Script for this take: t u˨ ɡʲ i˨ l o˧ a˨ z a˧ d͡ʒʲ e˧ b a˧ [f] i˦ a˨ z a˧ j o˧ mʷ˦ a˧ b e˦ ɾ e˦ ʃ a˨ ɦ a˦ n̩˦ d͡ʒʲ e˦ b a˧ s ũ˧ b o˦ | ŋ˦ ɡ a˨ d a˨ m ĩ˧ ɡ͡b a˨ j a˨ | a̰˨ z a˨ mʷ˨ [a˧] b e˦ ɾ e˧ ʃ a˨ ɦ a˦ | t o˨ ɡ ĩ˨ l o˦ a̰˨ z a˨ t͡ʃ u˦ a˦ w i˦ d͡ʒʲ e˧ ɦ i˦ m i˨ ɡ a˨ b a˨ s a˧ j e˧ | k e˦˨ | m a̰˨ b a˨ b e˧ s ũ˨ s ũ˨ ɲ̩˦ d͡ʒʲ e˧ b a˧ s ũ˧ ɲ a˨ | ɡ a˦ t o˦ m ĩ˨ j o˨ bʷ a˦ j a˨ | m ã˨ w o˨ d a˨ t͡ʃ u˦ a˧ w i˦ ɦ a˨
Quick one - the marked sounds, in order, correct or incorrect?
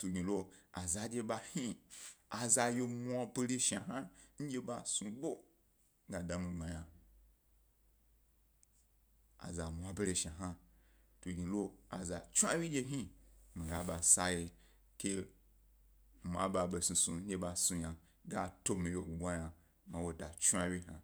incorrect, correct

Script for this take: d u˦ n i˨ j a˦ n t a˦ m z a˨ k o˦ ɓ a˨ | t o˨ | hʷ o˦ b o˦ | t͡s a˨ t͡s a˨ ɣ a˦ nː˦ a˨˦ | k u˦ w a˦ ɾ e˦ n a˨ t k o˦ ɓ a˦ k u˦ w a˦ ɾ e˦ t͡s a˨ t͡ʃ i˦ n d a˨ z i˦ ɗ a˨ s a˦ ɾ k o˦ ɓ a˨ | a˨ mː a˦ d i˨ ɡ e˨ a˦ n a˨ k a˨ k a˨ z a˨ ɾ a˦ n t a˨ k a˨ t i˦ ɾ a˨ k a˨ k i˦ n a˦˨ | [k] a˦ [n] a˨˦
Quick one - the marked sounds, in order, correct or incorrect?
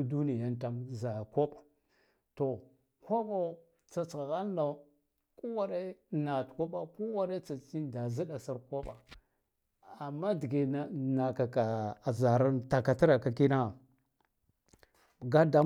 incorrect, incorrect

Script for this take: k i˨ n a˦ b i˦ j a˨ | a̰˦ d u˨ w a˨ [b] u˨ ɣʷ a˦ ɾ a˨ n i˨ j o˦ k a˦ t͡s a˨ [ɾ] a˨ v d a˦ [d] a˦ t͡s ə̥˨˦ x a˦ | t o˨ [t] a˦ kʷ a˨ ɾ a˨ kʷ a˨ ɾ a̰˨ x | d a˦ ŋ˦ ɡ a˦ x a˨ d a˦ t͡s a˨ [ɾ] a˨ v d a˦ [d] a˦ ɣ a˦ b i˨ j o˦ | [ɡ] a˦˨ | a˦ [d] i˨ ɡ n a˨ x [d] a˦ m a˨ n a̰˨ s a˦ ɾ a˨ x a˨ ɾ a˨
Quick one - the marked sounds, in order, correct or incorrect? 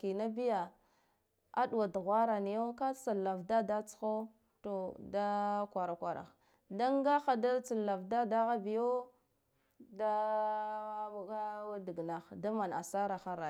incorrect, incorrect, correct, incorrect, incorrect, correct, incorrect, correct, correct

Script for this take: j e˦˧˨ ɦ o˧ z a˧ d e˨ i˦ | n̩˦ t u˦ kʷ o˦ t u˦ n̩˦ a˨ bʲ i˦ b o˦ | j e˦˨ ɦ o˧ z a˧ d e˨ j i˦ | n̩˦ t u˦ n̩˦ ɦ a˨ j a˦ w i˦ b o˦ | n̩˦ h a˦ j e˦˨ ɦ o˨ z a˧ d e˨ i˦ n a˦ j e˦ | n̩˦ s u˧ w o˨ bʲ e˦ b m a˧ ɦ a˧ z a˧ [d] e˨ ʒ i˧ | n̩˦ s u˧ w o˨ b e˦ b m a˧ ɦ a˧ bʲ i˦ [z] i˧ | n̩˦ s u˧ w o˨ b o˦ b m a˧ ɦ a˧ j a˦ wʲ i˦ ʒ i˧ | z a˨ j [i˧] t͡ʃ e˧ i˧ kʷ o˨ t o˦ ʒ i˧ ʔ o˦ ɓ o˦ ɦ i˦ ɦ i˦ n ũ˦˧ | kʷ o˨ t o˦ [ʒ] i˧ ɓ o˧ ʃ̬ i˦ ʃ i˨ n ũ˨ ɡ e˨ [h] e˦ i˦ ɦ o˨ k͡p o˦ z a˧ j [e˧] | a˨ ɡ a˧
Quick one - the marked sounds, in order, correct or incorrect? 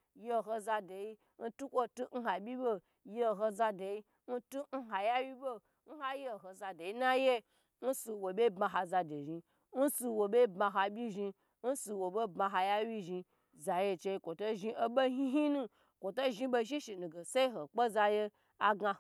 correct, incorrect, incorrect, correct, incorrect, correct

